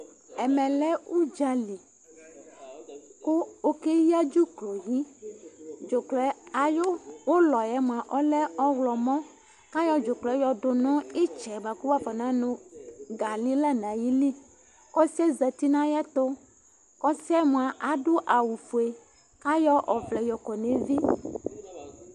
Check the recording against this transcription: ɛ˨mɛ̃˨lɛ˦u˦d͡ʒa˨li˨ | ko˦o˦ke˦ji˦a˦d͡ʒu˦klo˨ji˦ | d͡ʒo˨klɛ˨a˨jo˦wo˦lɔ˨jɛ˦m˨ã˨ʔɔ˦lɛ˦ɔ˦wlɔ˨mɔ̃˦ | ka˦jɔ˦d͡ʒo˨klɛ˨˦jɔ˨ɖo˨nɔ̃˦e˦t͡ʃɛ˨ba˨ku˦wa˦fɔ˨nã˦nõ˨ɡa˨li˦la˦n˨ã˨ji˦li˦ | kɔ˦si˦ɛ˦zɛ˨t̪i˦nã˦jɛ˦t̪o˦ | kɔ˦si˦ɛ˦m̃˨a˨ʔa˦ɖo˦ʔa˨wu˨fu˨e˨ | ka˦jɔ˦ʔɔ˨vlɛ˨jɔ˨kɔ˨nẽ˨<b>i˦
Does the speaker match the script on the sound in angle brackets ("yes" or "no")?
no